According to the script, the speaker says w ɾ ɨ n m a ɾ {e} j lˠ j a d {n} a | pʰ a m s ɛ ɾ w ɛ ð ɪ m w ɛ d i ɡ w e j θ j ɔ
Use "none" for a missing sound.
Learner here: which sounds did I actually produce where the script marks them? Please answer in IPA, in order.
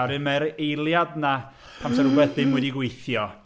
e, n

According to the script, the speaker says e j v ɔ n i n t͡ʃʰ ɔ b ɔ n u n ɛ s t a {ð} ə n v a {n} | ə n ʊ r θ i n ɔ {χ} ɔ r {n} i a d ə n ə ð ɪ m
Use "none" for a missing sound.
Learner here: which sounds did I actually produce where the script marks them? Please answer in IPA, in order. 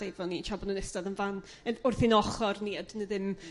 ð, n, χ, n

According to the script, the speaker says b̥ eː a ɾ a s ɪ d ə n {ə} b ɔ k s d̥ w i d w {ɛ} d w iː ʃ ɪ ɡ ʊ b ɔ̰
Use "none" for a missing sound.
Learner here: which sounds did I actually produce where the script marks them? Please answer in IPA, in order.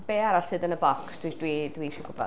ə, i

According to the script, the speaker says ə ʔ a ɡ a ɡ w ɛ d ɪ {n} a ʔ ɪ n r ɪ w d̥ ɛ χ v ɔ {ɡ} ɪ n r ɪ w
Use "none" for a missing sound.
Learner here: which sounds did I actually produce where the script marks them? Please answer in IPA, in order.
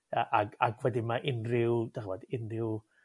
m, d

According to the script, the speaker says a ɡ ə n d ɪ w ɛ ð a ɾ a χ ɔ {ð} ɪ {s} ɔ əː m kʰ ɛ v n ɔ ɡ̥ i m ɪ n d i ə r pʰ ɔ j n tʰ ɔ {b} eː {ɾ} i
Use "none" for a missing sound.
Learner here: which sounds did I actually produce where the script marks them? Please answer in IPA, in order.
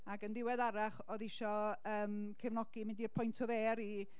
ð, ʃ, v, ɾ

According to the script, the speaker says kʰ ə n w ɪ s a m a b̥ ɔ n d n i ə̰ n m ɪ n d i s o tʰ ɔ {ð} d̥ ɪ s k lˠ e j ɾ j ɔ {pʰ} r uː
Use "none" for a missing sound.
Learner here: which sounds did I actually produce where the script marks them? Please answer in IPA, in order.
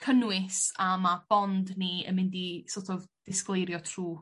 v, tʰ

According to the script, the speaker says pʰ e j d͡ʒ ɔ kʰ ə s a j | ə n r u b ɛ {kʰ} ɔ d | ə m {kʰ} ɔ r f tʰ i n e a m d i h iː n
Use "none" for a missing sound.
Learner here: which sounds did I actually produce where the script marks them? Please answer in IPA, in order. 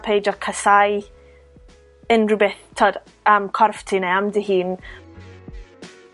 tʰ, kʰ

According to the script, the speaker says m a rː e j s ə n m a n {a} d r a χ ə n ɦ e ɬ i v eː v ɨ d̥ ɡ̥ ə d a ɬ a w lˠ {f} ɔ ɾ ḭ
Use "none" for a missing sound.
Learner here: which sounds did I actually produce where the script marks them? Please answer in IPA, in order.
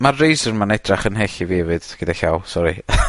ɛ, s

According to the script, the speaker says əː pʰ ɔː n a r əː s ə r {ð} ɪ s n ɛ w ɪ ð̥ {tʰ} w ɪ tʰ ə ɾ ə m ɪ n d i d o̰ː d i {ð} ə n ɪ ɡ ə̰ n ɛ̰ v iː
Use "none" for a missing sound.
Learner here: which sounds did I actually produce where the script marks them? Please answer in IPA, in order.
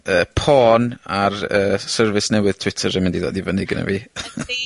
v, tʰ, v

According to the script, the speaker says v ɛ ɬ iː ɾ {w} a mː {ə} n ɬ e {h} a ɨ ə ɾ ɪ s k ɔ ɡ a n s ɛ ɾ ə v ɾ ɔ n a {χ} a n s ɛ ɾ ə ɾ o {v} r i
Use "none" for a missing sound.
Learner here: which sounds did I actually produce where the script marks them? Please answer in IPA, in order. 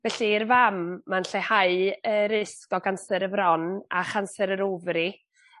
v, a, h, χ, v

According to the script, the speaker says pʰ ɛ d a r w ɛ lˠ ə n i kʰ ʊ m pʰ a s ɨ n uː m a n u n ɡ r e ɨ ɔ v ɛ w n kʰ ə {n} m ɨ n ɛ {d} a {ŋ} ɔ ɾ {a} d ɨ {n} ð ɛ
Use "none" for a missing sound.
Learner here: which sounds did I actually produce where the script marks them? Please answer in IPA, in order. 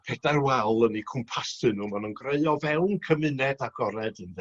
none, d, ɡ, ɛ, n

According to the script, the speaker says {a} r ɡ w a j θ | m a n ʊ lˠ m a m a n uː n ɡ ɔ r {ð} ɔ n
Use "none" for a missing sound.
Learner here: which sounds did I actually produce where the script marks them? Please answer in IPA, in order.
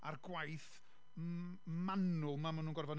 a, v

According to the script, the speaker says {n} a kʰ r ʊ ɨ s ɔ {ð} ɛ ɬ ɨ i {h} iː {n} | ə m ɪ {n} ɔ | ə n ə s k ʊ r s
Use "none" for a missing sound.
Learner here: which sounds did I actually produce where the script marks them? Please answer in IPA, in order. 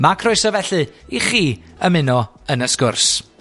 m, v, χ, none, n

